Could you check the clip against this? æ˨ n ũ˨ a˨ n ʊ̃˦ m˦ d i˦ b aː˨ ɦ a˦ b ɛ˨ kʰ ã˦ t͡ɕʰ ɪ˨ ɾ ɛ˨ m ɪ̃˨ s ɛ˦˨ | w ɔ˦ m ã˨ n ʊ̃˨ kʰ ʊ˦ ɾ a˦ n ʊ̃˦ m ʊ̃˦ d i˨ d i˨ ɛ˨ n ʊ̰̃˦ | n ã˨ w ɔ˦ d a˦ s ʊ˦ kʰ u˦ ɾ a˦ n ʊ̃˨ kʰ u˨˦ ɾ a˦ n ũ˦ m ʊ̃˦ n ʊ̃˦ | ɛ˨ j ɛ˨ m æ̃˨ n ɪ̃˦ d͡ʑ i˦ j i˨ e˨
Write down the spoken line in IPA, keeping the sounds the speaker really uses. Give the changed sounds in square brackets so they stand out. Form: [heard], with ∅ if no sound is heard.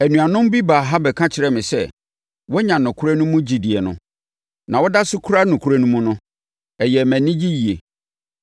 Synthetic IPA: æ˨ n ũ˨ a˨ n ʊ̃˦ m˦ [b] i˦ b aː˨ ɦ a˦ b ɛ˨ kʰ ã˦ t͡ɕʰ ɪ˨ ɾ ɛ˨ m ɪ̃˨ s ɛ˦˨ | w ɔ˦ [ɲ] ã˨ n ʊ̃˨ kʰ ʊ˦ ɾ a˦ n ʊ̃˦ m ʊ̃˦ [d͡ʑ] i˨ d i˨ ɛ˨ n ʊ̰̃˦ | n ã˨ w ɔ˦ d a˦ s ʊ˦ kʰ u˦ ɾ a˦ n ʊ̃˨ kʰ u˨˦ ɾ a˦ n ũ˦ m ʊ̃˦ n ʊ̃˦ | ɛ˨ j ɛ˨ m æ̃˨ n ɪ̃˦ d͡ʑ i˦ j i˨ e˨